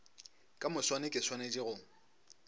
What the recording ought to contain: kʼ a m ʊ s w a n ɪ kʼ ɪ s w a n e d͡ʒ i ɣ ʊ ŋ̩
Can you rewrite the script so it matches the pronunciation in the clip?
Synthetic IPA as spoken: kʼ a m ʊ s w a n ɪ kʼ ɪ s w a n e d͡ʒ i ɣ ʊ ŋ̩